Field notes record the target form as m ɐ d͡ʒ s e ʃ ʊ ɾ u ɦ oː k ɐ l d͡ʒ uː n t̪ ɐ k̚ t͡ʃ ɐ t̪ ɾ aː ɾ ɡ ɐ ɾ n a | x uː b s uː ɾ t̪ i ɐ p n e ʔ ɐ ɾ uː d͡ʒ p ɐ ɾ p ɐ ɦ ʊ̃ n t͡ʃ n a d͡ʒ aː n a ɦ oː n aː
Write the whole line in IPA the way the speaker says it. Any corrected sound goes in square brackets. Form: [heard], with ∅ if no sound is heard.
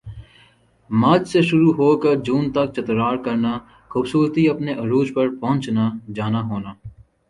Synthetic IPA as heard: m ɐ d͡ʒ s e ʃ ʊ ɾ u ɦ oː k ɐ [ɾ] d͡ʒ uː n t̪ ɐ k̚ t͡ʃ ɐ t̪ ɾ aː ɾ [k] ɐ ɾ n a | x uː b s uː ɾ t̪ i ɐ p n e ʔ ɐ ɾ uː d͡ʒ p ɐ ɾ p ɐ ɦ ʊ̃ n t͡ʃ n a d͡ʒ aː n a ɦ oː n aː